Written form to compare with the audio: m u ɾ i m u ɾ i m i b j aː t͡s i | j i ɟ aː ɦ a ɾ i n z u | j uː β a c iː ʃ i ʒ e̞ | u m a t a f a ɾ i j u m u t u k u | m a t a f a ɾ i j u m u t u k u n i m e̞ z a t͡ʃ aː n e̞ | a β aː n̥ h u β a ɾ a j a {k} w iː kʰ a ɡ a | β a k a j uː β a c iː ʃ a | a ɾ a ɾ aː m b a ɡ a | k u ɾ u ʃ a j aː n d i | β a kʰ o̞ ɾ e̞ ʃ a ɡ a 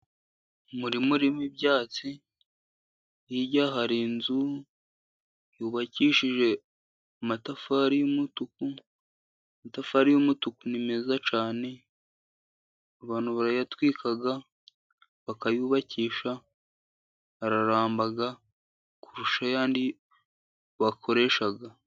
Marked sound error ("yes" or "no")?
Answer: yes